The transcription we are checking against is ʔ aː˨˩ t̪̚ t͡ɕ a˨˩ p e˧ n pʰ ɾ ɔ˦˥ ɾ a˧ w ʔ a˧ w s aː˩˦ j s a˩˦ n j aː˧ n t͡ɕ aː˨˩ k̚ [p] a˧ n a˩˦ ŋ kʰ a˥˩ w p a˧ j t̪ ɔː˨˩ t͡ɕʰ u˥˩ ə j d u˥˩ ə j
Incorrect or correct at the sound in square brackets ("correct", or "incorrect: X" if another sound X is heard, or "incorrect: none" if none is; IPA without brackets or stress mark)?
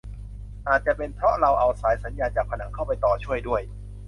incorrect: pʰ